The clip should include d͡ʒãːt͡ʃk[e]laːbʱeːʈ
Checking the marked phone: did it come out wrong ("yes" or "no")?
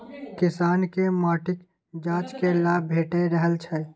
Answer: no